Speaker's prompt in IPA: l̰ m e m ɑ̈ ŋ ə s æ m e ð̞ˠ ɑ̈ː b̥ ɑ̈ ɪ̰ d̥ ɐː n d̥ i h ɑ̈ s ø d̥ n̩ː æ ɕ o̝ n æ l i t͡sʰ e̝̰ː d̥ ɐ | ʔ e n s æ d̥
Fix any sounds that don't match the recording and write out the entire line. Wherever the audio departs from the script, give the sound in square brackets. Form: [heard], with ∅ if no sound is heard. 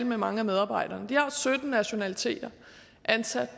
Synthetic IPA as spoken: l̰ m e m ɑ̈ ŋ ə [∅] æ m e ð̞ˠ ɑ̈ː b̥ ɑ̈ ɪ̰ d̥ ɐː n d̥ i h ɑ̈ s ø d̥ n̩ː æ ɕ o̝ n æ l i t͡sʰ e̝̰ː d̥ ɐ | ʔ [æ] n s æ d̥